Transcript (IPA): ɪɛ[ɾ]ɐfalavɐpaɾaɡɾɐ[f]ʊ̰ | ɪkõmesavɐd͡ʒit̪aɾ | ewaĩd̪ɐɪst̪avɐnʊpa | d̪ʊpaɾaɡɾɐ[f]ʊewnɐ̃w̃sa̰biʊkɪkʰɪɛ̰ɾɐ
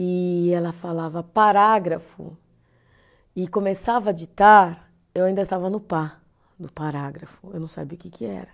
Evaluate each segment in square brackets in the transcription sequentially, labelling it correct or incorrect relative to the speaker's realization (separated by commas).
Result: incorrect, correct, correct